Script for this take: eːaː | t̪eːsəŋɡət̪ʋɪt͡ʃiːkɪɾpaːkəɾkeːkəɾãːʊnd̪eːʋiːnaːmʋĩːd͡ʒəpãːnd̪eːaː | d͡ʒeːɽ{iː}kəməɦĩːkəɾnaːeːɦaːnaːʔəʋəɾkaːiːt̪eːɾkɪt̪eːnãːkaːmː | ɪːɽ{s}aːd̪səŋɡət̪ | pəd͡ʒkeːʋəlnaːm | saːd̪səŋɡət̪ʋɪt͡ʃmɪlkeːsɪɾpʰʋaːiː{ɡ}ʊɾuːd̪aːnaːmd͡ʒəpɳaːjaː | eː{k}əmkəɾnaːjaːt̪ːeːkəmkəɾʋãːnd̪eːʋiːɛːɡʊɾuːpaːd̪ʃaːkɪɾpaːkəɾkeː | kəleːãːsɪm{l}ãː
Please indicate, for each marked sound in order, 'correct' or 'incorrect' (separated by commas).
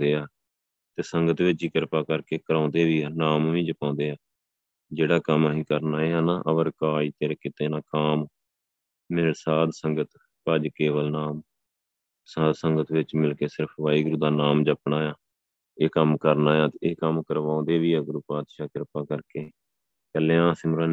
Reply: incorrect, correct, correct, correct, incorrect